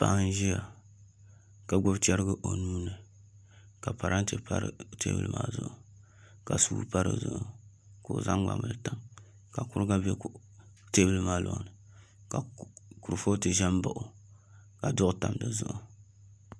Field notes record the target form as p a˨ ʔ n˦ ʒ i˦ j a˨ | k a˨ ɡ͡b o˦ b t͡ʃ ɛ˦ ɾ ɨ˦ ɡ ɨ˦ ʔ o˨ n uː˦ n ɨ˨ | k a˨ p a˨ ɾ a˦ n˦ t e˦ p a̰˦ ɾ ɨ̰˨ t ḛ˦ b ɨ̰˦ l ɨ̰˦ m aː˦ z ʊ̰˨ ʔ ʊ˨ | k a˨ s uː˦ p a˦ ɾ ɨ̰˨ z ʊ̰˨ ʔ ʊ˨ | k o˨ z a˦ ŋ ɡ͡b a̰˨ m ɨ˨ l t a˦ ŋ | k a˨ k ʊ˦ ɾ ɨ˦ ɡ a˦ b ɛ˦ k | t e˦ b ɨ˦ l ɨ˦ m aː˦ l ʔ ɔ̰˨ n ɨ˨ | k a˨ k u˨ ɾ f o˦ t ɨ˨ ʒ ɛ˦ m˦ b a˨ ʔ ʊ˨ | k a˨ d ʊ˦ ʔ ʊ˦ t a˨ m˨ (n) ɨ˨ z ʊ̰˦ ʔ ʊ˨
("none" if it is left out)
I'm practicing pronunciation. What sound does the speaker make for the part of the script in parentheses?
d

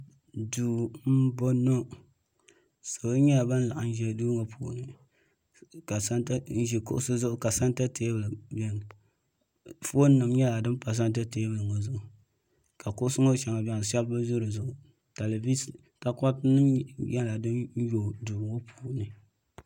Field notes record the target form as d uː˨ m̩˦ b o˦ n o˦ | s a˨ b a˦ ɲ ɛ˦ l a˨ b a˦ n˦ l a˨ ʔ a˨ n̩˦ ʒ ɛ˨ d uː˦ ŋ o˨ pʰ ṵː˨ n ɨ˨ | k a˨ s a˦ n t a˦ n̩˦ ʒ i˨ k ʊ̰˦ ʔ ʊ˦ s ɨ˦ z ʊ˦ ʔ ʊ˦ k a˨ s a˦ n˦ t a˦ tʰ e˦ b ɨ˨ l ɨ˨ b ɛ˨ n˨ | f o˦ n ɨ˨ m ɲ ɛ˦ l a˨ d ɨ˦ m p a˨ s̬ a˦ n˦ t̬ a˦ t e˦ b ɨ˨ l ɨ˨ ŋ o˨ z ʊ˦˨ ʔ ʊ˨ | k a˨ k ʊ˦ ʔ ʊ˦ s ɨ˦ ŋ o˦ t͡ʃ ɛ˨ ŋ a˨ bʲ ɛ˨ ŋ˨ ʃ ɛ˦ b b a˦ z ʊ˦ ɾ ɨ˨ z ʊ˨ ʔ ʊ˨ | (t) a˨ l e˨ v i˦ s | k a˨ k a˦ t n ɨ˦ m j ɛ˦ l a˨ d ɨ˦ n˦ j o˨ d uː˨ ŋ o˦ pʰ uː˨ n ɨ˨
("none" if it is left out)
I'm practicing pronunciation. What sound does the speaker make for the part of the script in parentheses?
t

